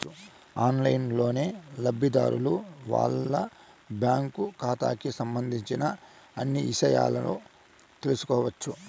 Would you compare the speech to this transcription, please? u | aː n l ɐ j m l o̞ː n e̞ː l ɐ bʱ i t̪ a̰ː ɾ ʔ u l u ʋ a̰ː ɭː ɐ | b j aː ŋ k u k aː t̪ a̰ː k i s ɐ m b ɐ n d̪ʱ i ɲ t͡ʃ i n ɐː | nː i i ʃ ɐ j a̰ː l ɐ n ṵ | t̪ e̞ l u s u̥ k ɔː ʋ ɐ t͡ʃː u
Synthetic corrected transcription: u | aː n l ɐ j n l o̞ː n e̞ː l ɐ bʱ i d̪ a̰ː ɾ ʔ u l u ʋ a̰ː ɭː ɐ | b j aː ŋ k u k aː t̪ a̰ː k i s ɐ m b ɐ n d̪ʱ i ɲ t͡ʃ i n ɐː | nː i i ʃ ɐ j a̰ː l ɐ n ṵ | t̪ e̞ l u s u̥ k ɔː ʋ ɐ t͡ʃː u